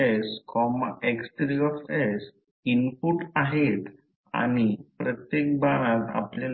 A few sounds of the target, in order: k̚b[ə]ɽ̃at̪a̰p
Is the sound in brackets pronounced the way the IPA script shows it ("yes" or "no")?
no